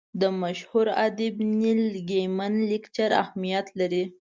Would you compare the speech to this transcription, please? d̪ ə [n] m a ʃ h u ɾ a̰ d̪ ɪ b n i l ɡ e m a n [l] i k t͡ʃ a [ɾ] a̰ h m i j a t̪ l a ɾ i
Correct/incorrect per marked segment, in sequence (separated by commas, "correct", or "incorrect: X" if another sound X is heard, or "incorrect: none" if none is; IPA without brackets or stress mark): incorrect: none, correct, correct